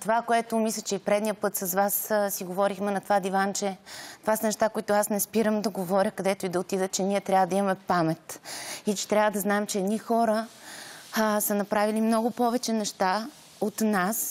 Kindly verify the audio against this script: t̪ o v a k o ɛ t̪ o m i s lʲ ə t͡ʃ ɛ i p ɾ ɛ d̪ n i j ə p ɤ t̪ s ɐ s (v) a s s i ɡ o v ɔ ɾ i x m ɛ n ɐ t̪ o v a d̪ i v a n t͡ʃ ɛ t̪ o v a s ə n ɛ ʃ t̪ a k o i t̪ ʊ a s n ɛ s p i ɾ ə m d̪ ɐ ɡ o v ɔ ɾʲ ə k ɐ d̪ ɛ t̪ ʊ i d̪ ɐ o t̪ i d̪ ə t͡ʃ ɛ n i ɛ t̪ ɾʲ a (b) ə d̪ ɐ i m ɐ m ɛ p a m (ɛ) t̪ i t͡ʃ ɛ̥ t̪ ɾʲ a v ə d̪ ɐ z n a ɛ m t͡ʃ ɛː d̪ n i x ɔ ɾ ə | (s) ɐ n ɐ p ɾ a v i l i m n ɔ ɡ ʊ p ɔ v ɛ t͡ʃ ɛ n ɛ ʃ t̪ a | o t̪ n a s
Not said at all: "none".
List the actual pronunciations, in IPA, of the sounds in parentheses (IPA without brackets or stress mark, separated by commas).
v, v, ɛ, s